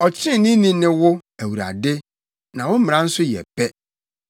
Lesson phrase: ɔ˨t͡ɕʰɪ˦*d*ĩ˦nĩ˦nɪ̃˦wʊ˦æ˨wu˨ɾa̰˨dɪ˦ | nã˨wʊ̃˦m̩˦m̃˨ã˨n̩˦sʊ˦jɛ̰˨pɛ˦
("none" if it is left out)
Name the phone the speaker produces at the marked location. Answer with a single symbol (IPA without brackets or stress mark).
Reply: n